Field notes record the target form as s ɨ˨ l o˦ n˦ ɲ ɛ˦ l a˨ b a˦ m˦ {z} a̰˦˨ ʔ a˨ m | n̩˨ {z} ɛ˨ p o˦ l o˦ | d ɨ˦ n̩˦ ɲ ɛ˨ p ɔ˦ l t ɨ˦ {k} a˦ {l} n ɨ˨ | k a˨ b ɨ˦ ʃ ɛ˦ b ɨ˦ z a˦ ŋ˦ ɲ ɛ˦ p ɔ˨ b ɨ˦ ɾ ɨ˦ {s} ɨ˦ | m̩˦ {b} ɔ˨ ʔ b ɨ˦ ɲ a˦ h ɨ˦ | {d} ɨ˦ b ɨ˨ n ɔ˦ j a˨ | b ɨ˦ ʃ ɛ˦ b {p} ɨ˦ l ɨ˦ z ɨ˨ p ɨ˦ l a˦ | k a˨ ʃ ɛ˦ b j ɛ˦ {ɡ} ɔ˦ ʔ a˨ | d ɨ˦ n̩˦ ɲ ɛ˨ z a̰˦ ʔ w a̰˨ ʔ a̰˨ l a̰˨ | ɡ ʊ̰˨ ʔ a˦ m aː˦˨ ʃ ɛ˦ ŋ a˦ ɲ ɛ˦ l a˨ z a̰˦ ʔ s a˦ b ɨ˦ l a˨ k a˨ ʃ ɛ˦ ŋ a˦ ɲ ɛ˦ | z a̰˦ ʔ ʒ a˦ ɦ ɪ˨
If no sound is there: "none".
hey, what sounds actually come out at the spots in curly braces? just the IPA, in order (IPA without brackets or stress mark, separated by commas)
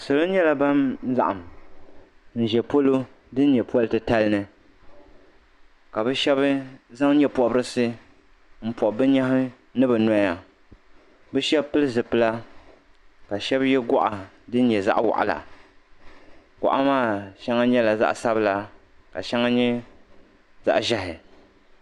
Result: z, ʒ, t, l, s, p, n, p, ɡ